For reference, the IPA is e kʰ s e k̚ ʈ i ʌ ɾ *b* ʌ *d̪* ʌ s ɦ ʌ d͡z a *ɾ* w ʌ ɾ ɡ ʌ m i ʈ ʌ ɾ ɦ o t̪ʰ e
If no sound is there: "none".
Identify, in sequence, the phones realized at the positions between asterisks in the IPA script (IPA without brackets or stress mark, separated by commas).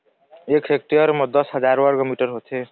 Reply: m, d̪, ɾ